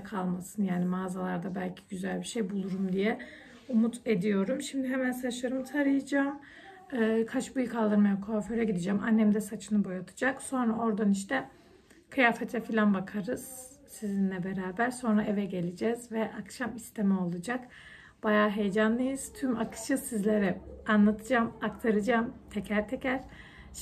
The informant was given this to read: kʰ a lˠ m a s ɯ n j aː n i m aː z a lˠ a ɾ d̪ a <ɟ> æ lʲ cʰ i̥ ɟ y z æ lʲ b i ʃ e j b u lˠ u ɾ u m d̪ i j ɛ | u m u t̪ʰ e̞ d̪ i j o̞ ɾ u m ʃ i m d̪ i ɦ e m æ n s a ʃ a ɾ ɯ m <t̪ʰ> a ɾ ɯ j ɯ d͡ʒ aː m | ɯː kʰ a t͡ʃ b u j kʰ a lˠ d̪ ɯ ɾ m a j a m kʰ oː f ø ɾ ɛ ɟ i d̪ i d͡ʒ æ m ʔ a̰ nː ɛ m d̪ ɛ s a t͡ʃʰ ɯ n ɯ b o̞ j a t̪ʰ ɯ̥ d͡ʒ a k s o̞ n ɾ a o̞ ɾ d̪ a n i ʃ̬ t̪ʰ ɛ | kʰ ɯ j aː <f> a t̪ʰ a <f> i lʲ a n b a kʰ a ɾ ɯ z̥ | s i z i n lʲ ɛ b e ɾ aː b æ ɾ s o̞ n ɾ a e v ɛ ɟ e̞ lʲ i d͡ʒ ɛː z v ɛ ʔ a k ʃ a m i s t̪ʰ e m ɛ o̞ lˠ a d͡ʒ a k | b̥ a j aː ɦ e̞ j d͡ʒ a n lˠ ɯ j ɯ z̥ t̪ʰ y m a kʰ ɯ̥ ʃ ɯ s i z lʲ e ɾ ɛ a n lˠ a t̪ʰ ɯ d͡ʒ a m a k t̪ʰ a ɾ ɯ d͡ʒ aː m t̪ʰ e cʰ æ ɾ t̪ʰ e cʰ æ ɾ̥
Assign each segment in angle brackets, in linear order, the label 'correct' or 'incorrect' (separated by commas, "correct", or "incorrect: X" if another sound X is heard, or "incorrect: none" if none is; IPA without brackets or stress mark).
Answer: incorrect: b, correct, correct, correct